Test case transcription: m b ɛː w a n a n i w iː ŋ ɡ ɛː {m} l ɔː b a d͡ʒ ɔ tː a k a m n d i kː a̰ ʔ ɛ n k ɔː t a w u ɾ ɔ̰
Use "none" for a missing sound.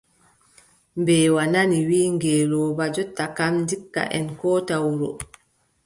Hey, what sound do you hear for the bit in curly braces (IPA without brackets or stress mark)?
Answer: none